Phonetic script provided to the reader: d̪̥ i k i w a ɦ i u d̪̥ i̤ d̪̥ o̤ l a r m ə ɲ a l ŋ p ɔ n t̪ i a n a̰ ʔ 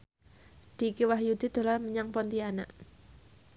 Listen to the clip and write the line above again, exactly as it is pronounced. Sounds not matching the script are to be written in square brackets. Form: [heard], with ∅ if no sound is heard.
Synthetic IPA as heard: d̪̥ i k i w a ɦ [j] u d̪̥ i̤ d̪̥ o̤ l a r m ə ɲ a [∅] ŋ p ɔ n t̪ i a n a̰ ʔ